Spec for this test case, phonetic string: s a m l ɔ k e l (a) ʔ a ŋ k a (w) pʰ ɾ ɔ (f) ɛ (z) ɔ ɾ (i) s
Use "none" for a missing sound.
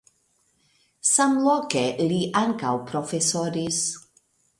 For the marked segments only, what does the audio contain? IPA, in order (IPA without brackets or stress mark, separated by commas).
i, w, f, s, i